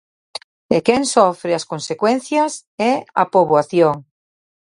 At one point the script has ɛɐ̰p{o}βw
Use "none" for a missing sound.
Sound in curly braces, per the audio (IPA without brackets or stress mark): o